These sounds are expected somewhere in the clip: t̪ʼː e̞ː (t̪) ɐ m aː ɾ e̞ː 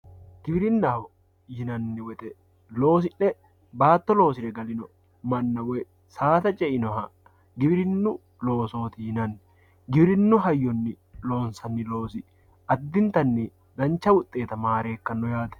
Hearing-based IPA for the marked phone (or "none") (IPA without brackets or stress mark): t̪